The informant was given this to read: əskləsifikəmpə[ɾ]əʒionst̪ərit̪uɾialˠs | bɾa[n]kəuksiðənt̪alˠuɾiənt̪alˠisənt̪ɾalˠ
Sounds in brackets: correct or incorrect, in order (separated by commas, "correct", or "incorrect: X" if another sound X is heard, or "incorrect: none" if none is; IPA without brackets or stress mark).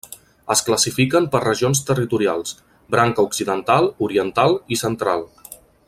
incorrect: r, incorrect: ŋ